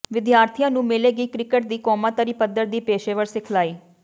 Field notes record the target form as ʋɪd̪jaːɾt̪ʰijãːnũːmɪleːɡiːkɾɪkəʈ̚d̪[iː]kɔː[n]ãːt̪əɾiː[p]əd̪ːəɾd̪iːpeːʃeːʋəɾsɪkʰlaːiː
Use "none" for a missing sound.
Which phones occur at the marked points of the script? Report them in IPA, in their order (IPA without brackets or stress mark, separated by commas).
iː, m, p